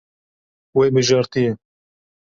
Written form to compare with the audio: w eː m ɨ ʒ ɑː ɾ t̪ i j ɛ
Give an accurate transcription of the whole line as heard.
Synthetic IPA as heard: w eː b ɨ ʒ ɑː ɾ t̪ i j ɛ